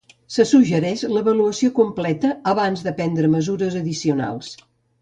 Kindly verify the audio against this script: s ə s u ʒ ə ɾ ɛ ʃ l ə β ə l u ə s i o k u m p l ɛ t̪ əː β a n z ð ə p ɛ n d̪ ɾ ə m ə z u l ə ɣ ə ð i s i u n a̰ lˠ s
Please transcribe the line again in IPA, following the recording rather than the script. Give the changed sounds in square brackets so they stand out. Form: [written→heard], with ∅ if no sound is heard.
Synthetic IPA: s ə s u ʒ ə ɾ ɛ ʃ l ə β ə l u ə s i o k u m p l ɛ t̪ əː β a n z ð ə p ɛ n d̪ ɾ ə m ə z u [l→ɾ] ə [ɣ→z] ə ð i s i u n a̰ lˠ s